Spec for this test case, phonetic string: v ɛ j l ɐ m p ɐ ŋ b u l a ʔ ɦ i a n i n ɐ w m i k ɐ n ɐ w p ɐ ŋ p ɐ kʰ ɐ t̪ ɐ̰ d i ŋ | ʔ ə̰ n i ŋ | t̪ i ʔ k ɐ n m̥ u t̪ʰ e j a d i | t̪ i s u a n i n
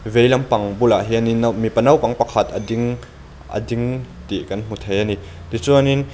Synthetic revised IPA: v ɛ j l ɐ m p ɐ ŋ b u l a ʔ ɦ i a n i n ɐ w m i p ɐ n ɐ w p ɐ ŋ p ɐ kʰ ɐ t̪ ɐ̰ d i ŋ | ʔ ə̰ d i ŋ | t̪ i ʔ k ɐ n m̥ u t̪ʰ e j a n i | t̪ i t͡s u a n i n